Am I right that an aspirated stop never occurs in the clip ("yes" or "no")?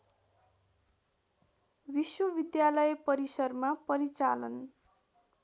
yes